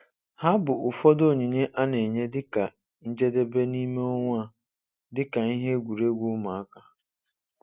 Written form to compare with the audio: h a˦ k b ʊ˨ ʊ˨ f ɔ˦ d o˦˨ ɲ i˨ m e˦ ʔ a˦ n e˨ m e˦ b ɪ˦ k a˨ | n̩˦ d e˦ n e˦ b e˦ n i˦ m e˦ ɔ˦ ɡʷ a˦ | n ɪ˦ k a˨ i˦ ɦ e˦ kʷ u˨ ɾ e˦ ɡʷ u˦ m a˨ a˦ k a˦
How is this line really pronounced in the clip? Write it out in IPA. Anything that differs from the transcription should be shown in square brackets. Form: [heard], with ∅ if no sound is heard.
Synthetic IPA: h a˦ [∅] b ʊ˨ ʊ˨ f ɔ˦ d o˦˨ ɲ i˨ [ɲ] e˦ ʔ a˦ n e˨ [ɲ] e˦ [d] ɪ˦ k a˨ | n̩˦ [d͡ʒ] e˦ [d] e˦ b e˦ n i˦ m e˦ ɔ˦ [ŋʷ] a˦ | [d] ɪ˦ k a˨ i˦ ɦ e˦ [ɡʷ] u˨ ɾ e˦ ɡʷ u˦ m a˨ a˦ k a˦